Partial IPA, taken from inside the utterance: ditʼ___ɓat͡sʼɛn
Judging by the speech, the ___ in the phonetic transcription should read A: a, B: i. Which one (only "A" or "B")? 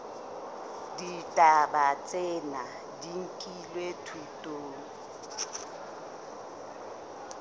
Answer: A